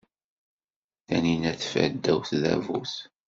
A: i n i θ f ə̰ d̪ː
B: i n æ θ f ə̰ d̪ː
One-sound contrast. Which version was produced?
B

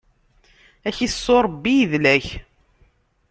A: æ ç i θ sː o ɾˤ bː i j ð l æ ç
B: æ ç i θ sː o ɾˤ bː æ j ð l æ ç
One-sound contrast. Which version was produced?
A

